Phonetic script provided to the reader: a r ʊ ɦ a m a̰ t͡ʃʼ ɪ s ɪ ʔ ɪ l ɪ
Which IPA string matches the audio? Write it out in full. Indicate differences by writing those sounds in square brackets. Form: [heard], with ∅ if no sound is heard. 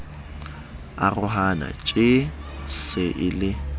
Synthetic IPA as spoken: a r ʊ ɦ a [n] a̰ t͡ʃʼ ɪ s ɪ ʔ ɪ l ɪ